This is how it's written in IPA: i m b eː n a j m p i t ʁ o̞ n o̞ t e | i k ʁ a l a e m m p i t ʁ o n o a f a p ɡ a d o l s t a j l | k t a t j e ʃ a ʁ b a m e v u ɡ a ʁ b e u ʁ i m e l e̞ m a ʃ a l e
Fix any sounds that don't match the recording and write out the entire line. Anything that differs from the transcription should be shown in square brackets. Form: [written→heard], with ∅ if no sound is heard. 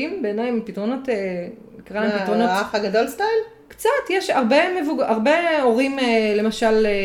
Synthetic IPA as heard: i m b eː n a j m p i t ʁ o̞ n o̞ t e | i k ʁ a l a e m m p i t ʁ o n o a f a [p→∅] ɡ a d o l s t a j l | k [t→t͡s] a t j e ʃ a ʁ b [a→e] m e v u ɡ a ʁ b e [u→o] ʁ i m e l e̞ m a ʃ a l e